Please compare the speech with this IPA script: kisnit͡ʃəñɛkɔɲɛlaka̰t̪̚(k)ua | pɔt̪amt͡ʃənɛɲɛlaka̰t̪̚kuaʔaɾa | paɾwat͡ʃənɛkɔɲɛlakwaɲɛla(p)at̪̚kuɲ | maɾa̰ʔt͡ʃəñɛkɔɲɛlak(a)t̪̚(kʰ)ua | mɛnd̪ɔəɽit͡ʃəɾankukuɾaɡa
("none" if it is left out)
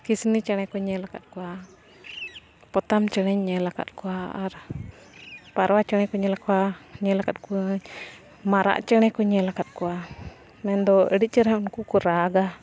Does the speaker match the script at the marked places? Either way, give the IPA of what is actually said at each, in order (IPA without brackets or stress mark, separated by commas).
k, k, a, k